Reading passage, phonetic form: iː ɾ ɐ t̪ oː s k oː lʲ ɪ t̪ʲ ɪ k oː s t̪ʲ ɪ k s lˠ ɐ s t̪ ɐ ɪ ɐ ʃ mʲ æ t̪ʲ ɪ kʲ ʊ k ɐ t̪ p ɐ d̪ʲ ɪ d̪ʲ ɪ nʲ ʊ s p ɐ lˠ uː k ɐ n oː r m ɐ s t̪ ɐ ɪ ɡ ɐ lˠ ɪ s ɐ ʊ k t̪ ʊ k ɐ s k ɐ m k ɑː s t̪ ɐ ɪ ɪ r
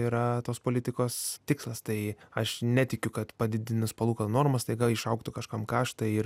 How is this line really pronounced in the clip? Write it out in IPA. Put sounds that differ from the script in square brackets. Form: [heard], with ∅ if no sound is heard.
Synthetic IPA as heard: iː ɾ ɐ t̪ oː s [p] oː lʲ ɪ t̪ʲ ɪ k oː s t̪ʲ ɪ k s lˠ ɐ s t̪ ɐ ɪ ɐ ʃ [nʲ] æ t̪ʲ ɪ kʲ ʊ k ɐ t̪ p ɐ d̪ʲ ɪ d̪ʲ ɪ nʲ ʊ s p ɐ lˠ uː k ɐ n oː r m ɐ s t̪ ɐ ɪ ɡ ɐ lˠ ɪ [ʃ] ɐ ʊ k t̪ ʊ k ɐ [ʃ] k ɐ m k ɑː [ʃ] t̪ ɐ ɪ ɪ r